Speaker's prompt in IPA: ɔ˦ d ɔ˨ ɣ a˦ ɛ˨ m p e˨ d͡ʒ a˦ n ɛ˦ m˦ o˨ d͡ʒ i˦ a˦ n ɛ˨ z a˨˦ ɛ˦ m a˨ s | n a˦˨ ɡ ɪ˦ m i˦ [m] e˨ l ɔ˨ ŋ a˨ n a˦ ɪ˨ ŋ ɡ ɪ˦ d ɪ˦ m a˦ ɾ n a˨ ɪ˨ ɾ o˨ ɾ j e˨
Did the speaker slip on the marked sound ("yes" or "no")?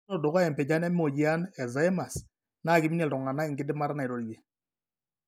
yes